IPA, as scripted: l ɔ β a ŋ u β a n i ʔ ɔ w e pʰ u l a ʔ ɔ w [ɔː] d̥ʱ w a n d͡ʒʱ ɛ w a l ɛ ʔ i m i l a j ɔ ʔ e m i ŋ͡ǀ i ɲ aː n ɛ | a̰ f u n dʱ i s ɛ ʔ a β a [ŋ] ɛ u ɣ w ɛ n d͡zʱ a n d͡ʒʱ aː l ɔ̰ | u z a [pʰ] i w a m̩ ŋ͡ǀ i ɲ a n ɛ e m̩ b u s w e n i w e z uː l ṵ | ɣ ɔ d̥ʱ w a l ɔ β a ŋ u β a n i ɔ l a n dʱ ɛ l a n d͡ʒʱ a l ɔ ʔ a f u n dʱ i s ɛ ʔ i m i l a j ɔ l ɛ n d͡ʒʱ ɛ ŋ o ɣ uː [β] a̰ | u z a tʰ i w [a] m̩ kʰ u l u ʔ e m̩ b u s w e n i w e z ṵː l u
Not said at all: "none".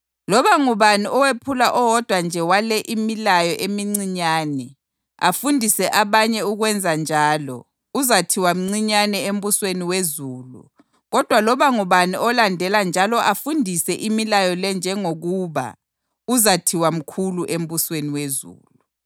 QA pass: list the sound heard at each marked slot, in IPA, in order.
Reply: ɔ, ɲ, tʰ, β, a

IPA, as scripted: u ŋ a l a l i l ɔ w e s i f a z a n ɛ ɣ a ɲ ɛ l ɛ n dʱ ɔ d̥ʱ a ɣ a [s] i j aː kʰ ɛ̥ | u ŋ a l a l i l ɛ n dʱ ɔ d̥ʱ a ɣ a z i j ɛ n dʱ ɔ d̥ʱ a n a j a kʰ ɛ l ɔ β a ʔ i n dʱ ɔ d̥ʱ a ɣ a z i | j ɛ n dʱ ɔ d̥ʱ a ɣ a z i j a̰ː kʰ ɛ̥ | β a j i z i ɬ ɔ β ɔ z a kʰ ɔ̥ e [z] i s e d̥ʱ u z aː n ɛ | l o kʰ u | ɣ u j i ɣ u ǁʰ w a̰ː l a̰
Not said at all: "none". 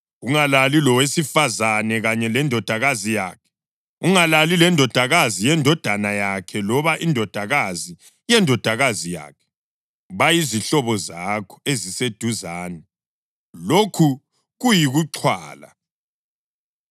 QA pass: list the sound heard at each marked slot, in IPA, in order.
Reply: z, z

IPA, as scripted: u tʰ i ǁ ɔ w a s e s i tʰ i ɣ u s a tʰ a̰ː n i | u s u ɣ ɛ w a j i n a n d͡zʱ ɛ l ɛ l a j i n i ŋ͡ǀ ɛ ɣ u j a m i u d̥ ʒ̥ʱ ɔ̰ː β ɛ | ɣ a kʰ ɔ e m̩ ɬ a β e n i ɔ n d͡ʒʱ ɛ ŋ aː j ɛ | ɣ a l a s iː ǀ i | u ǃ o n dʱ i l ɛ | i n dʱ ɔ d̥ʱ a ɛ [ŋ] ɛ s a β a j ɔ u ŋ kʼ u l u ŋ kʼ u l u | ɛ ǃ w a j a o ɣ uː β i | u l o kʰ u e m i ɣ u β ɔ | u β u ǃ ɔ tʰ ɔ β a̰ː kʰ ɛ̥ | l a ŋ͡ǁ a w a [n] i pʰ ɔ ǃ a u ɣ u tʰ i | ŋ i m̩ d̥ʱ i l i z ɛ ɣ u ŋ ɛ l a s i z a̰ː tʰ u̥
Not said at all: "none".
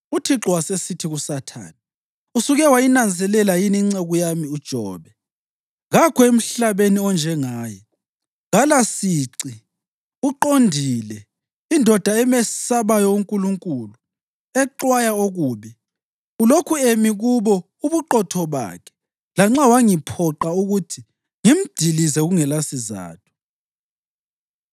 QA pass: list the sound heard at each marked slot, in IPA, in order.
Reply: m, ŋ

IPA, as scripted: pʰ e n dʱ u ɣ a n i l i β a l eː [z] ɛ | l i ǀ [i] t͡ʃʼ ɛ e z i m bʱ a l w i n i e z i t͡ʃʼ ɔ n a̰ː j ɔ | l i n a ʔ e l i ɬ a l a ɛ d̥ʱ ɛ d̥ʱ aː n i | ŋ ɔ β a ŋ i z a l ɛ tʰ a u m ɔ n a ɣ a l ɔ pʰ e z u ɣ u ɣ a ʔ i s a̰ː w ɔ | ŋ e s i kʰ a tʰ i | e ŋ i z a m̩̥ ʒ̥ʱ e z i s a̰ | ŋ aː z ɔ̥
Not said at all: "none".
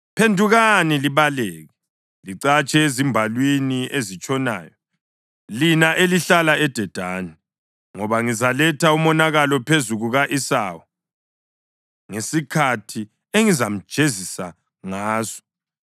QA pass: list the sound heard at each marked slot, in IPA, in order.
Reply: ɣ, a

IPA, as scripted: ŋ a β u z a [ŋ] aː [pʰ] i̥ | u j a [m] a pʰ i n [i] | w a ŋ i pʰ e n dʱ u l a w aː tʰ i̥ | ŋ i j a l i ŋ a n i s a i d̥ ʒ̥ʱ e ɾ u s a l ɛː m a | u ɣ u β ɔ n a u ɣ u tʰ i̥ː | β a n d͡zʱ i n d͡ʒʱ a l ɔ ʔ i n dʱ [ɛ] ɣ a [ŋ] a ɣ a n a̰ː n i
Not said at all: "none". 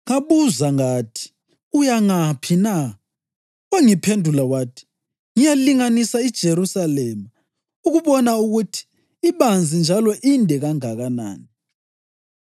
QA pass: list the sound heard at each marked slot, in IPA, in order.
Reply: ŋ, tʰ, ŋ, a, ɛ, ŋ

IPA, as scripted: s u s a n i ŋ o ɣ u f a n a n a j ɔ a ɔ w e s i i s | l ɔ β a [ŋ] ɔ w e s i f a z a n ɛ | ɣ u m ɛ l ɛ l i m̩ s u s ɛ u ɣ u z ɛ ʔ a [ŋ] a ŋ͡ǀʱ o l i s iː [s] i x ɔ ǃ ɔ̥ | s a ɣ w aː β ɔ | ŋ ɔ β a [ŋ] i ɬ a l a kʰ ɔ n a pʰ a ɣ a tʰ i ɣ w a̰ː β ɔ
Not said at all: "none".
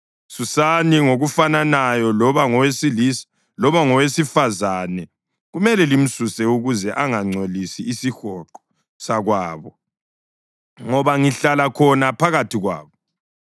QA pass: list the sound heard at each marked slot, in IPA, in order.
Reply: ŋ, ŋ, s, ŋ

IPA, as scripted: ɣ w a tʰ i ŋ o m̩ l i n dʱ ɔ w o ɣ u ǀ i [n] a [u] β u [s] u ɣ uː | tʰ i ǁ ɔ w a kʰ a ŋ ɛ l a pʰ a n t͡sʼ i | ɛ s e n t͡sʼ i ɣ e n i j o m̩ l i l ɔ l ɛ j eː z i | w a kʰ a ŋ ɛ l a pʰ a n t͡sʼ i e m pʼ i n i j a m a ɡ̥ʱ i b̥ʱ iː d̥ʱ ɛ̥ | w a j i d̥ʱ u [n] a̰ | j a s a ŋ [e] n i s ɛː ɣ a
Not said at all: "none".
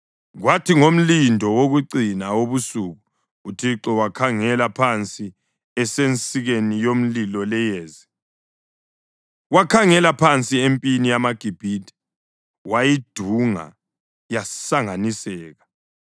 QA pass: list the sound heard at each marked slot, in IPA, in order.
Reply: n, o, s, ŋ, a

